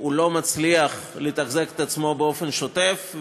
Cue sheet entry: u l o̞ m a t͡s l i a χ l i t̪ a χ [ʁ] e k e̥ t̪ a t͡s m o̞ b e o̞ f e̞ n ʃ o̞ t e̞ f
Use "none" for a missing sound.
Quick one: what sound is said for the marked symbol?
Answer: z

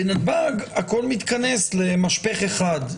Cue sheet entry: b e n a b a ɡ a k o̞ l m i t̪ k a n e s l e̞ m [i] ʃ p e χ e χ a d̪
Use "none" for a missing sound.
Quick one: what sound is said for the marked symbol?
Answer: a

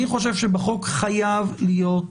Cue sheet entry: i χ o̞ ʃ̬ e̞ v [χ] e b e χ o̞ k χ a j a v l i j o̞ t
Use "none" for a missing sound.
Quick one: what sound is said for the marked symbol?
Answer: ʃ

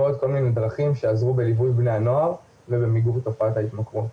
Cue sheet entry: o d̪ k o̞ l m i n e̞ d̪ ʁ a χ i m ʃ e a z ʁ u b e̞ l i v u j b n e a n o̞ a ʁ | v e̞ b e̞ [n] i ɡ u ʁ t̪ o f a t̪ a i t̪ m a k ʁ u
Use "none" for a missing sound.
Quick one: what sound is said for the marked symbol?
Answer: m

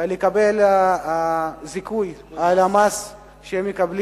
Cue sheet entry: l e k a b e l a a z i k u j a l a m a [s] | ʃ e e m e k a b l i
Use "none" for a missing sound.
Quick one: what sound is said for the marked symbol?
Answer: s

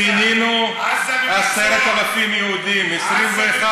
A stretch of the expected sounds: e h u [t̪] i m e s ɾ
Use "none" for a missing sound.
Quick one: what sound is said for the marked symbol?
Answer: d̪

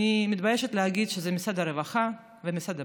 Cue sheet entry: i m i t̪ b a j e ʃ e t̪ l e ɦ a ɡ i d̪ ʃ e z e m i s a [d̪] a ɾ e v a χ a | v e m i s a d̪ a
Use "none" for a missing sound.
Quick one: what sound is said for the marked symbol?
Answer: d̪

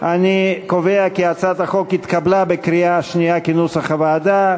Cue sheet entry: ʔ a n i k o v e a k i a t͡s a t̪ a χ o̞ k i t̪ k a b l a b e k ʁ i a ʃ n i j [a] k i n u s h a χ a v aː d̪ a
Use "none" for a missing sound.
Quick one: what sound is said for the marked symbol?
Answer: a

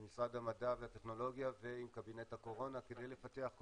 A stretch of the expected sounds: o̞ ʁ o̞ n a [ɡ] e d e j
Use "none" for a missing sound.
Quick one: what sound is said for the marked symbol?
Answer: k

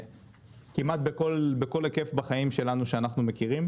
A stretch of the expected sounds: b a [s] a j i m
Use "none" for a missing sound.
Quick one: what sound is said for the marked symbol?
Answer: χ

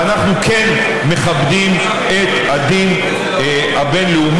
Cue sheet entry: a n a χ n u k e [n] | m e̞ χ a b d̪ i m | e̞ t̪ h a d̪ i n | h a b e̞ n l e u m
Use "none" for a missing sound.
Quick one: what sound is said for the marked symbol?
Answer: n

